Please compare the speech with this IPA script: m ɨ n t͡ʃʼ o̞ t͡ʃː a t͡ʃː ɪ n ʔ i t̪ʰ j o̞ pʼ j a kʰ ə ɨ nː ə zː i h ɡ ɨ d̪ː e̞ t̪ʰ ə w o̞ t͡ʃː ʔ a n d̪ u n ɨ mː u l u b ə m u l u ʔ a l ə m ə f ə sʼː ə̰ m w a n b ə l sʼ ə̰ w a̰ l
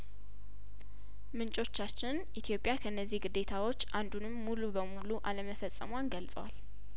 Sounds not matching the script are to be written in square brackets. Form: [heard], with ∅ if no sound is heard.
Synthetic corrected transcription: m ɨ n t͡ʃʼ o̞ t͡ʃː a t͡ʃː ɪ n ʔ i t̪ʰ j o̞ pʼ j a kʰ ə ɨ nː ə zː i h ɡ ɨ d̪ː e̞ t̪ʰ [a] w o̞ t͡ʃː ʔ a n d̪ u n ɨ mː u l u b ə m u l u ʔ a l ə m ə f ə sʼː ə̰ m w a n [ɡ] ə l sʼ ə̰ w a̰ l